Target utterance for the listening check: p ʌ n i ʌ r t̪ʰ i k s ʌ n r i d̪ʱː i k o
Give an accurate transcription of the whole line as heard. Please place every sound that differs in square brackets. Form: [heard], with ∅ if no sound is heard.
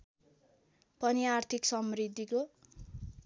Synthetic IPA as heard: p ʌ n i [a] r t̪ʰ i k s ʌ [m] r i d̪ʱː i k o